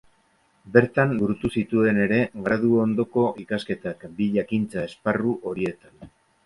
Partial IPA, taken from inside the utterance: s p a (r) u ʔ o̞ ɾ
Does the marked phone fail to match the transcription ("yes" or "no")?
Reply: no